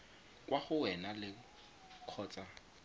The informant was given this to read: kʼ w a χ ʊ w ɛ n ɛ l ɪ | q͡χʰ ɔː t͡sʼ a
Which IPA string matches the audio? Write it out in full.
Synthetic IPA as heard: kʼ w a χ ʊ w ɛ n a l ɪ | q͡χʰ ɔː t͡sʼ a